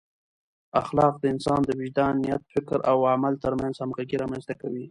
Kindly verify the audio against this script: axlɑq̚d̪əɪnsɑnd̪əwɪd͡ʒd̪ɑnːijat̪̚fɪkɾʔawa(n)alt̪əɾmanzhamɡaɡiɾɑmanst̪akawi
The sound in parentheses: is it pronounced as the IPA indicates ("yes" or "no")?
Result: no